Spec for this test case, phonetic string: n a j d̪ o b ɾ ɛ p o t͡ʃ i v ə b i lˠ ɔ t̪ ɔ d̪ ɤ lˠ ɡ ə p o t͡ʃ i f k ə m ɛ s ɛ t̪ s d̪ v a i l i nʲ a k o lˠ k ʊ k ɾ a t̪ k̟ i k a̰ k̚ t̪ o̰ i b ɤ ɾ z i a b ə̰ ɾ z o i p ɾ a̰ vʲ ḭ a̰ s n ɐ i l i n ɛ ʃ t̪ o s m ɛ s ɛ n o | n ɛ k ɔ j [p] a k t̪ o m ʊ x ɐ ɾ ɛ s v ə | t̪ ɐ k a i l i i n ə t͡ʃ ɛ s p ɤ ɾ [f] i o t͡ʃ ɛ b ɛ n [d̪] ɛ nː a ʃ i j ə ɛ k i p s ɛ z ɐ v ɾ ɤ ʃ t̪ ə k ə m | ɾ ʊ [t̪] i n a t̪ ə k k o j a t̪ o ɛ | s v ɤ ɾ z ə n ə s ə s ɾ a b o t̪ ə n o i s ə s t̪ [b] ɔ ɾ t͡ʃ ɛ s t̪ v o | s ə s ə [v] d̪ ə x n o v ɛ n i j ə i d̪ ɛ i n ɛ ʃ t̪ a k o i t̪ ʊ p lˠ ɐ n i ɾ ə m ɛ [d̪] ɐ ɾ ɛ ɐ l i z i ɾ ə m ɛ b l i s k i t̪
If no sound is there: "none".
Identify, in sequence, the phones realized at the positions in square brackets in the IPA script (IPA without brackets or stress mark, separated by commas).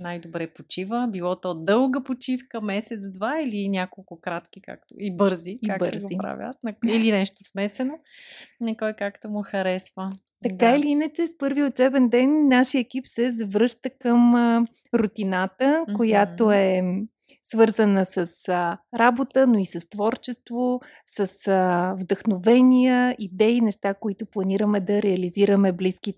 k, v, d̪, t̪, v, v, d̪